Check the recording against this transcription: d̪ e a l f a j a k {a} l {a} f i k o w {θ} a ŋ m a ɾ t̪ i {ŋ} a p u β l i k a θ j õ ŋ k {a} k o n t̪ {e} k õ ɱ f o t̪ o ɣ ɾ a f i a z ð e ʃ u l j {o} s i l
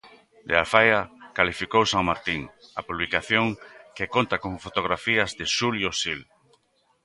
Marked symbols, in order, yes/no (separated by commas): yes, no, no, yes, no, no, yes